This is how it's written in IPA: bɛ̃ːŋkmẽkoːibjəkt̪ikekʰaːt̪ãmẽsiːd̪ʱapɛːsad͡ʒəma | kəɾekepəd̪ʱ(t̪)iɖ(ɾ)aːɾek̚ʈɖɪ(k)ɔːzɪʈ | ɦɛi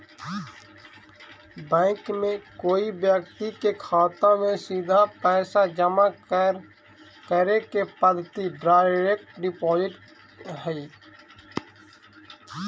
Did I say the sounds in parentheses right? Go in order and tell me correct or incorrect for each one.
correct, correct, incorrect: p

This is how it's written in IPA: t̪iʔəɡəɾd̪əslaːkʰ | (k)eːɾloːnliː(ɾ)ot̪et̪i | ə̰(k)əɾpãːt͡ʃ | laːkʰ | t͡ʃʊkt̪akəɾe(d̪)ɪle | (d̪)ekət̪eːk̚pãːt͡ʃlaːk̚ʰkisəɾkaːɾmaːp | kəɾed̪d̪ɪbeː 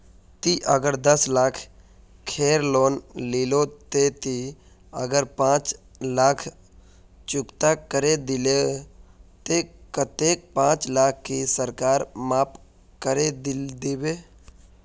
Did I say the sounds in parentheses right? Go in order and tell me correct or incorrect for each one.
incorrect: kʰ, incorrect: l, incorrect: ɡ, correct, incorrect: t̪

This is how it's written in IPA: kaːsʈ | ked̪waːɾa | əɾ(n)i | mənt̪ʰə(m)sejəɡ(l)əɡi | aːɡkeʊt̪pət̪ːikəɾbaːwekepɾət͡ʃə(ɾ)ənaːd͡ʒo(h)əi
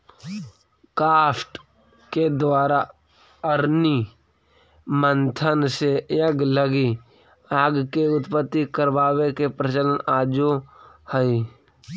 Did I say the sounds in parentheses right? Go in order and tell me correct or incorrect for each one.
correct, incorrect: n, correct, incorrect: l, correct

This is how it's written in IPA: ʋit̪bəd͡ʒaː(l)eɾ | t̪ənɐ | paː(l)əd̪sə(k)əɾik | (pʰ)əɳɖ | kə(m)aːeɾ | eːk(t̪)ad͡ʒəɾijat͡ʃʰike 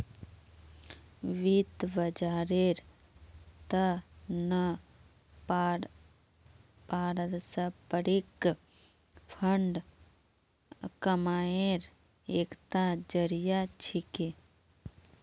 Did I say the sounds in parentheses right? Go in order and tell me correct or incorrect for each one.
incorrect: ɾ, incorrect: ɾ, incorrect: p, correct, correct, correct

